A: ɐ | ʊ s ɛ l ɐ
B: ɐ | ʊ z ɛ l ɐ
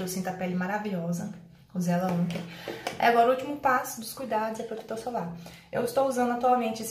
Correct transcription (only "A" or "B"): B